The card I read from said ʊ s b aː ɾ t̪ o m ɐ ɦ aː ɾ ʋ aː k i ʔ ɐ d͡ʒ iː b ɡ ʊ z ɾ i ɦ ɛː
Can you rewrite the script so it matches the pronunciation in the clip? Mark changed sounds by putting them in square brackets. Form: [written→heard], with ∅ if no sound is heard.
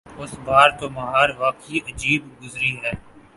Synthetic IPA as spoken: ʊ s b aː ɾ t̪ o m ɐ ɦ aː ɾ ʋ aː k i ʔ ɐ d͡ʒ iː b ɡ ʊ z ɾ i ɦ ɛː